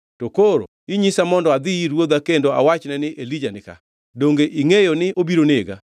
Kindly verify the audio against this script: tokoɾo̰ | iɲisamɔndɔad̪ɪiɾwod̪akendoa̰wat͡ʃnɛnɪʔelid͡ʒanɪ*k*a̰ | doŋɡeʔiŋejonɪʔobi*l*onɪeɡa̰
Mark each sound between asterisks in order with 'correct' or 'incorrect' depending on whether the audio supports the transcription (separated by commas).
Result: correct, incorrect